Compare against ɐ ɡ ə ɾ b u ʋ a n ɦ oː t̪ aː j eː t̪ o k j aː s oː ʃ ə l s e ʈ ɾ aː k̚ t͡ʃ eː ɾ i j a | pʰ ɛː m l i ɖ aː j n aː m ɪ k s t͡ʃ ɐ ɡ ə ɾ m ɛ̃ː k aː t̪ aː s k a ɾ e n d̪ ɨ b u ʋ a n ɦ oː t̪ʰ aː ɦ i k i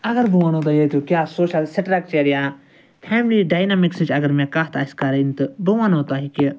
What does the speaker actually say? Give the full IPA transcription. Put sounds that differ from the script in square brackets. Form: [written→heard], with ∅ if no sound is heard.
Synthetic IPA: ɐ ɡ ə ɾ b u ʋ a n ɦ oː t̪ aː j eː t̪ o k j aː s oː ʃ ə l s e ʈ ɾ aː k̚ t͡ʃ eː ɾ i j a | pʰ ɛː m l i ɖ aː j n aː m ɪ k s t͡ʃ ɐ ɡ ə ɾ m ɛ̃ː k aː t̪ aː s k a ɾ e n [d̪→t̪] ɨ b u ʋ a n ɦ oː [t̪ʰ→t̪] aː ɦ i k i